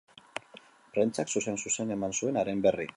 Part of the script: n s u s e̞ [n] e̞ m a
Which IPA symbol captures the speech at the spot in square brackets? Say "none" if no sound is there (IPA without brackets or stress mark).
n